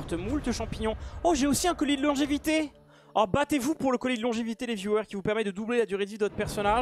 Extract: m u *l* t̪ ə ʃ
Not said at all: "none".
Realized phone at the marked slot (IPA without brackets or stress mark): l